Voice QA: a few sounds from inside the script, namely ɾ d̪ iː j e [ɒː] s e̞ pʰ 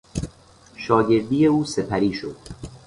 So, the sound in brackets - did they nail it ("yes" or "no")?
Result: no